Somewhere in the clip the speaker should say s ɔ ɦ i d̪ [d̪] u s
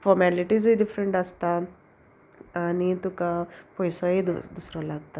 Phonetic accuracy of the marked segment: correct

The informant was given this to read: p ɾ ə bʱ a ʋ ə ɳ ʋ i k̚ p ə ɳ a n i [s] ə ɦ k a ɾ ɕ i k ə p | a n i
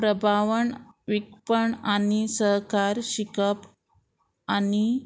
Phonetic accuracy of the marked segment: correct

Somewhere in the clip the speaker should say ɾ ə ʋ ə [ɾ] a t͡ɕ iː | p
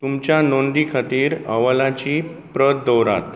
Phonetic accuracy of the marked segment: incorrect: l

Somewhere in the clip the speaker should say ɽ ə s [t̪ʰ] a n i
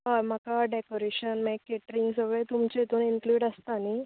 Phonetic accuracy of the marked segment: incorrect: t̪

